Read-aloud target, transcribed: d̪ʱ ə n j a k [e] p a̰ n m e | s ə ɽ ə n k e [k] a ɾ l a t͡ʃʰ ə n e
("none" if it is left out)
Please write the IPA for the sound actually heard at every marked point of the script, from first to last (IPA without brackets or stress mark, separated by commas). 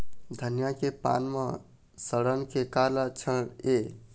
e, k